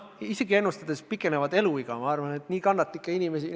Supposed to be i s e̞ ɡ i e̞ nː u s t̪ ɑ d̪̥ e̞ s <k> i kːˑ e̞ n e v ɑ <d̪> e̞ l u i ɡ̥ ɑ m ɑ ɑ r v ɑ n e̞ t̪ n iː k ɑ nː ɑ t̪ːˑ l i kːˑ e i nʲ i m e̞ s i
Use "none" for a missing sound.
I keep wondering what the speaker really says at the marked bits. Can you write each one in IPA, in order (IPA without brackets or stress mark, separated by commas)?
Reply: p, d̪